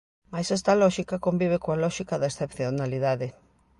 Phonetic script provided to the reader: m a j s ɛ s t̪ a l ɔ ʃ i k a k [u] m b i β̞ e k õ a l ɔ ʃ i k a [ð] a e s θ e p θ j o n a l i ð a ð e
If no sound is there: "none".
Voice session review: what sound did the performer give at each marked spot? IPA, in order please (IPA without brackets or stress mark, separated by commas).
o, ð